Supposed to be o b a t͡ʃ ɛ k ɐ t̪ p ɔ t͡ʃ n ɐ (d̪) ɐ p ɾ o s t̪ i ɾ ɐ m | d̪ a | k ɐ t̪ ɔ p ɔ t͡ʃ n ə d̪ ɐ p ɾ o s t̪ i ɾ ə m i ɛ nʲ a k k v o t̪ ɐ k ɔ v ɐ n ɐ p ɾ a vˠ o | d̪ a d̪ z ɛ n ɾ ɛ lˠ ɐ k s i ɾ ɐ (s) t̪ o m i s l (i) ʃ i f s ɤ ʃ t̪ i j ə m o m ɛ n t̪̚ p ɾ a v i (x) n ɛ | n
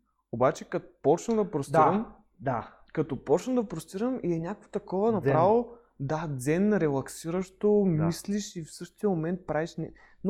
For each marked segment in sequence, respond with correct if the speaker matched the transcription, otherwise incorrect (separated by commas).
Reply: correct, incorrect, correct, incorrect